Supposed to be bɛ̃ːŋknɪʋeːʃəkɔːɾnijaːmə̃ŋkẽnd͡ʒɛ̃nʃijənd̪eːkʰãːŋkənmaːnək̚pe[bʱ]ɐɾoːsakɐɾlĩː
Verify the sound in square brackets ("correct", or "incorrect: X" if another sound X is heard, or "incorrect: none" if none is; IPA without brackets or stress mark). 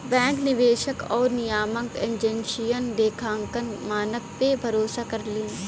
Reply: correct